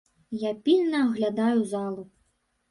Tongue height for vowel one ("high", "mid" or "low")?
low